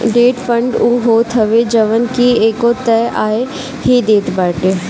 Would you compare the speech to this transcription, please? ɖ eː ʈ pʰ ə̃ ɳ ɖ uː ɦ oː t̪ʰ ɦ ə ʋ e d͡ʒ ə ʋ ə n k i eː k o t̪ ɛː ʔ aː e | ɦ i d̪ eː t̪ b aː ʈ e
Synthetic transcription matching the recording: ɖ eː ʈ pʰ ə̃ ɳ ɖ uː ɦ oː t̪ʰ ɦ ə ʋ e d͡ʒ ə ʋ ə n k i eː k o t̪ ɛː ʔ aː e | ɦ i d̪ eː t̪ b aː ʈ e

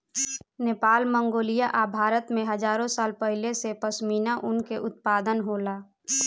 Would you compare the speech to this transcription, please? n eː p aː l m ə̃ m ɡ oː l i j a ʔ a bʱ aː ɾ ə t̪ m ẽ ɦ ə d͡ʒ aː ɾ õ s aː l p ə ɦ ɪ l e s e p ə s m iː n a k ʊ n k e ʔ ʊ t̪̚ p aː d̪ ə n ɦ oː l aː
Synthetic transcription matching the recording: n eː p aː l m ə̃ ŋ ɡ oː l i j a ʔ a bʱ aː ɾ ə t̪ m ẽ ɦ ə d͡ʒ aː ɾ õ s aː l p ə ɦ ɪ l e s e p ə s m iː n a ʔ ʊ n k e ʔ ʊ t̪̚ p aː d̪ ə n ɦ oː l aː

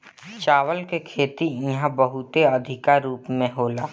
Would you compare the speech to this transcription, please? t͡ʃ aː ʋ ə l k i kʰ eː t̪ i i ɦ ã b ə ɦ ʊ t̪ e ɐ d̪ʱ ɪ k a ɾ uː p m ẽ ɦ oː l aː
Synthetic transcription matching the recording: t͡ʃ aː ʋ ə l k e kʰ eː t̪ i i ɦ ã b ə ɦ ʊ t̪ e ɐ d̪ʱ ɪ k a ɾ uː p m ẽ ɦ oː l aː

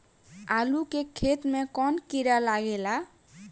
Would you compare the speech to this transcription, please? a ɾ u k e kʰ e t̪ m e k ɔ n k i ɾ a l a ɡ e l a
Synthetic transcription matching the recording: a l u k e kʰ e t̪ m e k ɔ n k i ɾ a l a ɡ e l a

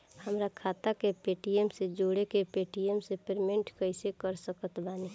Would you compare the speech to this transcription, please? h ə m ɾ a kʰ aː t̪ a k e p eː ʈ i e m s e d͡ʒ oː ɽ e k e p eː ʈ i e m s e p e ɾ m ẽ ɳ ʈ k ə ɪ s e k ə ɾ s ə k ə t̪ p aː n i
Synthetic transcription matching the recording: h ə m ɾ a kʰ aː t̪ a k e p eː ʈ i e m s e d͡ʒ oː ɽ e k e p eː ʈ i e m s e p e ɾ m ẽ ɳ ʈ k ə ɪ s e k ə ɾ s ə k ə t̪ b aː n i

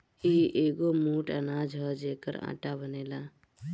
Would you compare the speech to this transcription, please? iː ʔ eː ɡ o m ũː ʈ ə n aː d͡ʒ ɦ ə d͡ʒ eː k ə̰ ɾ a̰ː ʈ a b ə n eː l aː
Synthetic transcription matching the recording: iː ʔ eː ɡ o m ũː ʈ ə n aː d͡ʒ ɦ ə d͡ʒ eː k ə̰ ɾ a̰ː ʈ a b ə n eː l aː

